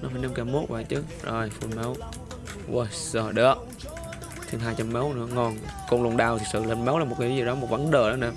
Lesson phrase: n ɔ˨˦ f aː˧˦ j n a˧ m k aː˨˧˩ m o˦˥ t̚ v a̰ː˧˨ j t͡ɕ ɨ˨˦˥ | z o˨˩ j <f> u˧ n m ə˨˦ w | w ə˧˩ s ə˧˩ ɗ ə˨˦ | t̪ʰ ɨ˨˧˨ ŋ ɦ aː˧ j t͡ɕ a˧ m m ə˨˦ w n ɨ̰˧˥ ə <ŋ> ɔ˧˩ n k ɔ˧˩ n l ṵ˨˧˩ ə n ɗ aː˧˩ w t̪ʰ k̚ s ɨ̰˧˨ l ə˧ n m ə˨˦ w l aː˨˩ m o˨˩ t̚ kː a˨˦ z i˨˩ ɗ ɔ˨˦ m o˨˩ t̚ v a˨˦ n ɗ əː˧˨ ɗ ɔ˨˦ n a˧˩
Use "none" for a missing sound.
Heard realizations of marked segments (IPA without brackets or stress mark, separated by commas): f, ŋ